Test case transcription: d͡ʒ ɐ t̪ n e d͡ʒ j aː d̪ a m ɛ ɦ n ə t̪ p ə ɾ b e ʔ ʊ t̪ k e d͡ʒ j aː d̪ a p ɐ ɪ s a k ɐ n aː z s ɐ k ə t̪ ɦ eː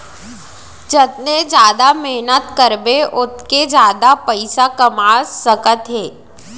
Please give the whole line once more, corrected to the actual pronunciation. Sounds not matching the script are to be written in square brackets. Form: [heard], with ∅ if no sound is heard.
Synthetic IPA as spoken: d͡ʒ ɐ t̪ n e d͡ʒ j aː d̪ a m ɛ ɦ n ə t̪ [k] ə ɾ b e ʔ ʊ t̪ k e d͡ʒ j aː d̪ a p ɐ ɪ s a k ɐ [m] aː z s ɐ k ə t̪ ɦ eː